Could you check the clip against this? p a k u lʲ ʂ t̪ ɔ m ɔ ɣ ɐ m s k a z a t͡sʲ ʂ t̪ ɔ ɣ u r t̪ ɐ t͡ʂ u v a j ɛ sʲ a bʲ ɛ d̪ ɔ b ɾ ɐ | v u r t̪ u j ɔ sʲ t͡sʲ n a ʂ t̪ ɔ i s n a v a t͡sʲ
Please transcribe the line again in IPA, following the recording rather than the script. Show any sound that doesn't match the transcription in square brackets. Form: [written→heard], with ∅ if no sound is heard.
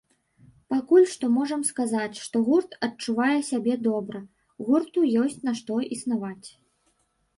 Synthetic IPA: p a k u lʲ ʂ t̪ ɔ m ɔ [ɣ→ʐ] ɐ m s k a z a t͡sʲ ʂ t̪ ɔ ɣ u r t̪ ɐ t͡ʂ u v a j ɛ sʲ a bʲ ɛ d̪ ɔ b ɾ ɐ | [v→ɣ] u r t̪ u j ɔ sʲ t͡sʲ n a ʂ t̪ ɔ i s n a v a t͡sʲ

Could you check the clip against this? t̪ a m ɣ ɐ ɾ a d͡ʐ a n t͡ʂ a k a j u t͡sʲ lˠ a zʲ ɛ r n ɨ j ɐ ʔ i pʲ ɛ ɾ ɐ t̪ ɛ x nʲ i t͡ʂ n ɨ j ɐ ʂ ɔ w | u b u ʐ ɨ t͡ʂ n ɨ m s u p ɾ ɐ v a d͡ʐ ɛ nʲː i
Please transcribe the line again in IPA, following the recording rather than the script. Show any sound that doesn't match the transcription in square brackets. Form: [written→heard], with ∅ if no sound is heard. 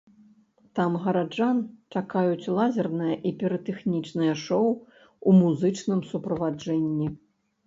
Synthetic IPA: t̪ a m ɣ ɐ ɾ a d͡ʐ a n t͡ʂ a k a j u t͡sʲ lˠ a zʲ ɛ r n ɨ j ɐ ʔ i pʲ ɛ ɾ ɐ t̪ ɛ x nʲ i t͡ʂ n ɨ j ɐ ʂ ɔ w | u [b→m] u [ʐ→z] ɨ t͡ʂ n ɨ m s u p ɾ ɐ v a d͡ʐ ɛ nʲː i

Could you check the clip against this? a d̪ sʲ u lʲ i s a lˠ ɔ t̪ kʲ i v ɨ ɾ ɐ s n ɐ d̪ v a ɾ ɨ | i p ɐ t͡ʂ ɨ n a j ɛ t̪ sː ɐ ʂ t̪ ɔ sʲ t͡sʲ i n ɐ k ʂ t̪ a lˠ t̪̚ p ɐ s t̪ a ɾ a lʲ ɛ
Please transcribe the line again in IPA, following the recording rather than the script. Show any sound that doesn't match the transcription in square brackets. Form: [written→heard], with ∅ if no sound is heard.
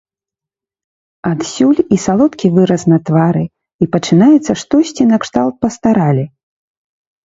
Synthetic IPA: a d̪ sʲ u lʲ i s a lˠ ɔ t̪ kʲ i v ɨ ɾ ɐ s n ɐ [d̪→t̪] v a ɾ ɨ | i p ɐ t͡ʂ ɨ n a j ɛ t̪ sː ɐ ʂ t̪ ɔ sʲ t͡sʲ i n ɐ k ʂ t̪ a lˠ t̪̚ p ɐ s t̪ a ɾ a lʲ [ɛ→i]

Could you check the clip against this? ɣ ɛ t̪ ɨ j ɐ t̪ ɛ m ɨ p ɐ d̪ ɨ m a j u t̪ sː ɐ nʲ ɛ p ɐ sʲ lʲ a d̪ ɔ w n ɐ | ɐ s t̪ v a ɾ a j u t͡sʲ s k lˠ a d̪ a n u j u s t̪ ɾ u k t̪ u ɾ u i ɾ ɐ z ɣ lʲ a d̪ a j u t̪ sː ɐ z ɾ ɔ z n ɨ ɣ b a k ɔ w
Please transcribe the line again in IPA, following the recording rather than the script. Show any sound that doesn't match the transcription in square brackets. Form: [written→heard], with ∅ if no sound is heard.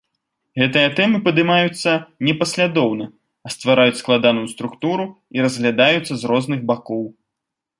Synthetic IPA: ɣ ɛ t̪ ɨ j ɐ t̪ ɛ m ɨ p ɐ d̪ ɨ m a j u t̪ sː ɐ nʲ ɛ p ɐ sʲ lʲ a d̪ ɔ w n ɐ | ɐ s t̪ v a ɾ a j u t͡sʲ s k lˠ a d̪ a n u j u s t̪ ɾ u k t̪ u ɾ u i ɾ ɐ z ɣ lʲ a d̪ a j u t̪ sː ɐ z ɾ ɔ z n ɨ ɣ b a k ɔ w

